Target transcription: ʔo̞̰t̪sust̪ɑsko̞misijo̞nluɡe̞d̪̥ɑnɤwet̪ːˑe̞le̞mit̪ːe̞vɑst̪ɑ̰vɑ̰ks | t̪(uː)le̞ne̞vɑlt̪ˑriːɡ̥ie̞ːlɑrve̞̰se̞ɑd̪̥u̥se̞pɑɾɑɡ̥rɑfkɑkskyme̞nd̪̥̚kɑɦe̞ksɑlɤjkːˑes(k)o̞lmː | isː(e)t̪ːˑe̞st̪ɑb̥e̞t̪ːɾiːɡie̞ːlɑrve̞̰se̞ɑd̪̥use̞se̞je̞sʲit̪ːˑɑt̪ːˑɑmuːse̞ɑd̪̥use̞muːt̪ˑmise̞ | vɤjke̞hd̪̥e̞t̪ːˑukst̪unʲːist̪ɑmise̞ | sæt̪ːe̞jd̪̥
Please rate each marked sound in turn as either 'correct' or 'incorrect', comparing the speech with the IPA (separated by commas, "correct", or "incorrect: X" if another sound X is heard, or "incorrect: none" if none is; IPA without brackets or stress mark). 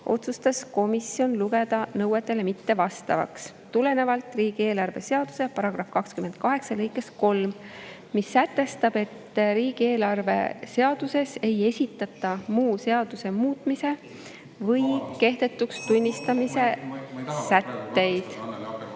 incorrect: u, correct, incorrect: æ